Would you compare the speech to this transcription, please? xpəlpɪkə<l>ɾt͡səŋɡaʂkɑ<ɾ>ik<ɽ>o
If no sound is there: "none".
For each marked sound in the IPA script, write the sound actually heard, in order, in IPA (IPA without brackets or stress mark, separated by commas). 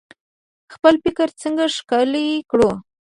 none, l, ɽ